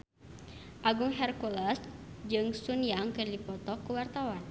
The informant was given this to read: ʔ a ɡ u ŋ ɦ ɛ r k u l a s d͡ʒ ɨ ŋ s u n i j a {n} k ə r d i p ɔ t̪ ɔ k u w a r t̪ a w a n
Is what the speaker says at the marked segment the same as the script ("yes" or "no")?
no